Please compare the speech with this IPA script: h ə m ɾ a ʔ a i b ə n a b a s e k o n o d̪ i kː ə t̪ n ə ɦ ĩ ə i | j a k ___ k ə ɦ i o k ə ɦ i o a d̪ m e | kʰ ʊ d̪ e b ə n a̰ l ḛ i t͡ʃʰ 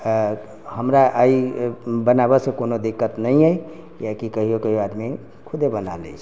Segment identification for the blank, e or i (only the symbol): i